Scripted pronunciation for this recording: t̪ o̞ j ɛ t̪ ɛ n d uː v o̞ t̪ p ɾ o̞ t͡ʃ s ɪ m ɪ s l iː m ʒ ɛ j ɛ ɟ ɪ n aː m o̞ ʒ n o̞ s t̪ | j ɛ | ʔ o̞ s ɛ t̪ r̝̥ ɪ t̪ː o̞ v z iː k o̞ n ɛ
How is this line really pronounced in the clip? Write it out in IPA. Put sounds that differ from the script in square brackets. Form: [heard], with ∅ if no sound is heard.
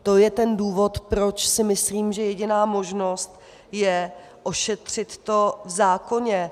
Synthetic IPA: t̪ o̞ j ɛ t̪ ɛ n d uː v o̞ t̪ p ɾ o̞ t͡ʃ s ɪ m ɪ s l iː m ʒ ɛ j ɛ ɟ ɪ n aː m o̞ ʒ n o̞ s t̪ | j ɛ | ʔ o̞ [ʃ] ɛ t̪ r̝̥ ɪ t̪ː o̞ v z [aː] k o̞ [ɲ] ɛ